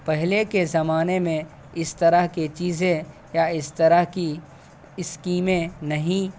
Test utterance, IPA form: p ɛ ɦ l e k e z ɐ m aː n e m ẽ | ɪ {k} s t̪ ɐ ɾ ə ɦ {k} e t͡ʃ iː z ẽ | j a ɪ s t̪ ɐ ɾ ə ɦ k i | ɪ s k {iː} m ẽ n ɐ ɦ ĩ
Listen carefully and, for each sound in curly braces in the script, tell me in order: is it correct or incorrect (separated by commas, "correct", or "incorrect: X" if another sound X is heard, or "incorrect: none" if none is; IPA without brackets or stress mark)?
incorrect: none, correct, correct